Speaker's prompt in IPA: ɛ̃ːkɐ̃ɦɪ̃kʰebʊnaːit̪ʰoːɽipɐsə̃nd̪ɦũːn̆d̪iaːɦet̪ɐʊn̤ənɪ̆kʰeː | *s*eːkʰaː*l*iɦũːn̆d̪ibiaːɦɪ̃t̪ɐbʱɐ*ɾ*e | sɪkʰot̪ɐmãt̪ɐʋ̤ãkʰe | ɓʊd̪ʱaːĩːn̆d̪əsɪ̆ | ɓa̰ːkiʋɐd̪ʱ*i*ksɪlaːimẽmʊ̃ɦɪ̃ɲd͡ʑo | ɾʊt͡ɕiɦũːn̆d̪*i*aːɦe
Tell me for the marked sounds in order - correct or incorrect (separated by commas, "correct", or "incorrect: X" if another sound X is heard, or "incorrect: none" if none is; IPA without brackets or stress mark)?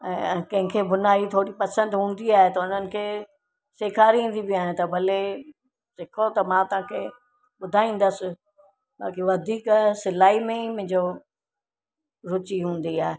correct, incorrect: ɾ, incorrect: l, incorrect: iː, correct